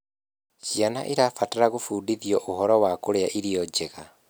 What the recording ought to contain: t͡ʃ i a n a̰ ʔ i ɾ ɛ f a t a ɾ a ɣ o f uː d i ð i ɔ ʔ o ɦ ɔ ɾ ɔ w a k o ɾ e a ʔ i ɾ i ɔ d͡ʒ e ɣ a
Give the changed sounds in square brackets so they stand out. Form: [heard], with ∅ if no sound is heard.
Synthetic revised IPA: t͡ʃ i a n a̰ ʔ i ɾ [a] f a t a ɾ a ɣ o f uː d i ð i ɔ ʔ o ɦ ɔ ɾ ɔ w a k o ɾ e a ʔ i ɾ i ɔ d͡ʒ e ɣ a